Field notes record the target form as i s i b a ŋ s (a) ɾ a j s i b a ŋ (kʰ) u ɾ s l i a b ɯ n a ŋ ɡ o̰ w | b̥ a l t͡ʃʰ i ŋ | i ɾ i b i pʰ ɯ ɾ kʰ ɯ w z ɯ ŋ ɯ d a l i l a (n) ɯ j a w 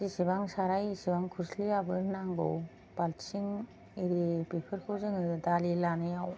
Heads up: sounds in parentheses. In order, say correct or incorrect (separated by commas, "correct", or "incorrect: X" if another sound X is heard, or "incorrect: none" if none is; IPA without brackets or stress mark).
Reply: correct, correct, correct